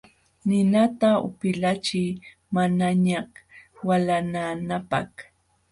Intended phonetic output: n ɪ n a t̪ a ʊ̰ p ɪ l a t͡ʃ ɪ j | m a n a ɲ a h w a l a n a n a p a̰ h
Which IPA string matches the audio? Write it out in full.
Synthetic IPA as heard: n ɪ n a t̪ a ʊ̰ p ɪ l a t͡ʃ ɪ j | m a n a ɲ a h w a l a n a n a p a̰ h